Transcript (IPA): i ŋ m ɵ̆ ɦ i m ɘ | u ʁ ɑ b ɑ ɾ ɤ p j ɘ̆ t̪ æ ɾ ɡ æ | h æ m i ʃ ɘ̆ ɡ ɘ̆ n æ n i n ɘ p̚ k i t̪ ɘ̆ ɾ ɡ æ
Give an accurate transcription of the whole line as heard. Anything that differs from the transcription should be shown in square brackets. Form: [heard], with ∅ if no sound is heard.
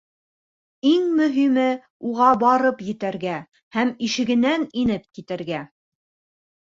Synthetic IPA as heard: i ŋ m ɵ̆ ɦ i m ɘ | u ʁ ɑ b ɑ ɾ ɤ p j ɘ̆ t̪ æ ɾ ɡ æ | h æ m i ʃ ɘ̆ ɡ ɘ̆ n æ n i n ɘ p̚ k i t̪ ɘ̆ ɾ ɡ æ